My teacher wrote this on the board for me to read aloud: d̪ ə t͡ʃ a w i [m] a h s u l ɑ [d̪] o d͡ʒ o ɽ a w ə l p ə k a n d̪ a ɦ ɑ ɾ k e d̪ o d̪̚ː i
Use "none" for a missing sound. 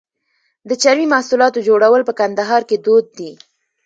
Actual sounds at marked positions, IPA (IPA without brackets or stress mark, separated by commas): m, t̪